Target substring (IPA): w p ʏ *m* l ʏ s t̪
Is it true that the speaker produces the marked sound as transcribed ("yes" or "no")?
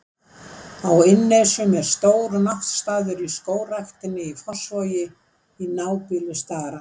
no